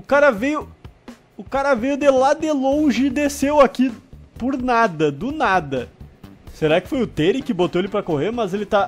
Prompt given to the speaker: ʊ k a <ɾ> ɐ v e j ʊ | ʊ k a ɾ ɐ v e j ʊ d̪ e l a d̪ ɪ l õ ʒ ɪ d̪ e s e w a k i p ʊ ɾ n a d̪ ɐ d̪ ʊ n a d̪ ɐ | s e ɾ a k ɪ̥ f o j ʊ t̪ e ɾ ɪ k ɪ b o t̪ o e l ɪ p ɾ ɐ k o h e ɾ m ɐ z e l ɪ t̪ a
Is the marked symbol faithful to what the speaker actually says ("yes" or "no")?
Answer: yes